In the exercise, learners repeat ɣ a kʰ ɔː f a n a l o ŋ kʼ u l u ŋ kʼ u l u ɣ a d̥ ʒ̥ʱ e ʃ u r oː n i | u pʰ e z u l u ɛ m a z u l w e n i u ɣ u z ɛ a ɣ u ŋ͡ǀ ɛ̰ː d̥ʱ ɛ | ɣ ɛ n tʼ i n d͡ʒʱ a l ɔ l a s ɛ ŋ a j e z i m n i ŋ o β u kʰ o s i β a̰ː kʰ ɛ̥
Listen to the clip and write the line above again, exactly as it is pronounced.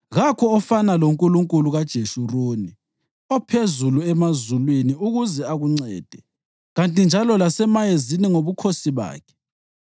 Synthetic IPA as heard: ɣ a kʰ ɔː f a n a l o ŋ kʼ u l u ŋ kʼ u l u ɣ a d̥ ʒ̥ʱ e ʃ u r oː n i | ɔ pʰ e z u l u ɛ m a z u l w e n i u ɣ u z ɛ a ɣ u ŋ͡ǀ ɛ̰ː d̥ʱ ɛ | ɣ a n tʼ i n d͡ʒʱ a l ɔ l a s ɛ m a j e z i n i ŋ o β u kʰ o s i β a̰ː kʰ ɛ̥